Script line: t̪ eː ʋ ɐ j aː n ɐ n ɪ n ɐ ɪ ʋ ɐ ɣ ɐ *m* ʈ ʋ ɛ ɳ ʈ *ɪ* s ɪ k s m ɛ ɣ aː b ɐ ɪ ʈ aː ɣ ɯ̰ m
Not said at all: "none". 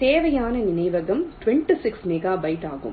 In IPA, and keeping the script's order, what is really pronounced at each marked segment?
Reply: m, i

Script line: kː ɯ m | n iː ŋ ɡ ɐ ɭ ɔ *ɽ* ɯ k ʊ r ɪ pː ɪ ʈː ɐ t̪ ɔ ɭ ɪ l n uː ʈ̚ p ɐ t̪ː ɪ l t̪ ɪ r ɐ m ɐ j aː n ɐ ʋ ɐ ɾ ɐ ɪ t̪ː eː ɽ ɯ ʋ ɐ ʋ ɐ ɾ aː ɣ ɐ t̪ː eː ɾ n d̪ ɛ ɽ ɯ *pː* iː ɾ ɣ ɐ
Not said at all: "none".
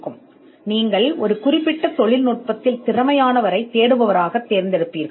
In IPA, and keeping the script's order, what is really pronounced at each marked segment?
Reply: ɾ, pː

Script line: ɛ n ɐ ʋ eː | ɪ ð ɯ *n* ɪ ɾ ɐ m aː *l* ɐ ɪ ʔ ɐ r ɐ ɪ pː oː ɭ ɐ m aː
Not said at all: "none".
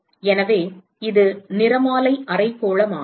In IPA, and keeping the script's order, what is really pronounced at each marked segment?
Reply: n, l

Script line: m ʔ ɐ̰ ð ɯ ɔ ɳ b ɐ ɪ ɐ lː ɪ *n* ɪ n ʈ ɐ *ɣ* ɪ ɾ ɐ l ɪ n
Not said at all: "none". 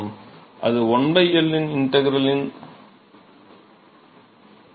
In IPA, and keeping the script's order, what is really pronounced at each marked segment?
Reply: n, ɣ

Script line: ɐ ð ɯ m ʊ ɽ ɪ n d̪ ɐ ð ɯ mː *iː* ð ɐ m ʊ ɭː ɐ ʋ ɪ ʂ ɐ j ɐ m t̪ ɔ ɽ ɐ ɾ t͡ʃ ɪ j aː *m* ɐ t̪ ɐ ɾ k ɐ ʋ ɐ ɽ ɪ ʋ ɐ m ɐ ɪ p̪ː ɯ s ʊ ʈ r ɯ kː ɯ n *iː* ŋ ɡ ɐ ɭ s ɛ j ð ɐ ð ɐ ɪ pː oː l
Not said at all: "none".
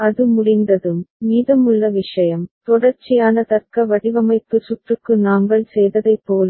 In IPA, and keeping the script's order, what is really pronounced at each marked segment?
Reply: iː, n, aː

